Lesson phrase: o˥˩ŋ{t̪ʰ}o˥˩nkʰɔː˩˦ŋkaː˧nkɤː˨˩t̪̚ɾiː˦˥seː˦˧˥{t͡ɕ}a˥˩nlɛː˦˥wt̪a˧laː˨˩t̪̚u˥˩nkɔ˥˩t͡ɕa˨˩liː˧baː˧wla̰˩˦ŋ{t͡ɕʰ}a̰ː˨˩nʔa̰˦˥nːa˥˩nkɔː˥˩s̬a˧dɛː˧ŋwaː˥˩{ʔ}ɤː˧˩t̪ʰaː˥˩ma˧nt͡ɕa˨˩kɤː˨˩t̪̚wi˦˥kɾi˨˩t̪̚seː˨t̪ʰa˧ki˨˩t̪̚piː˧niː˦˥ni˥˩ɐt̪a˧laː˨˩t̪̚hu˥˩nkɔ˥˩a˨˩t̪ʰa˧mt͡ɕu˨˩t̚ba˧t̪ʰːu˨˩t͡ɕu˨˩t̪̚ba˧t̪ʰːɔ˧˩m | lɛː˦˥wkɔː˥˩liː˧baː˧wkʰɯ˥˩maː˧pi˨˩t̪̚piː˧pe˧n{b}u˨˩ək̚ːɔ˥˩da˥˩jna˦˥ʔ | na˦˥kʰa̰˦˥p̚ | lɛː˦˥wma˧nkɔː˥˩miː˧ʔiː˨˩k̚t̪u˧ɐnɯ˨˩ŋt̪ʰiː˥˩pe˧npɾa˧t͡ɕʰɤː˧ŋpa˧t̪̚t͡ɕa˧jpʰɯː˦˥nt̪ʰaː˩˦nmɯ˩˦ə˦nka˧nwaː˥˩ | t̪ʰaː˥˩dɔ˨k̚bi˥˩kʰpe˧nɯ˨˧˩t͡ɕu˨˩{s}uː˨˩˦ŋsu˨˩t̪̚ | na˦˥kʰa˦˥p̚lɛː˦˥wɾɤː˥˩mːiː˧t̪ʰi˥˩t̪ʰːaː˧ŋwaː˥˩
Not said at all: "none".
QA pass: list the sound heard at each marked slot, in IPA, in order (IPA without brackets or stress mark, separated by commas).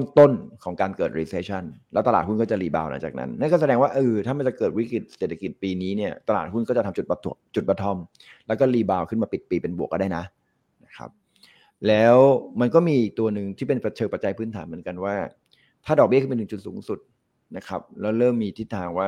t̪, t͡ɕʰ, t͡ɕ, ʔ, b, s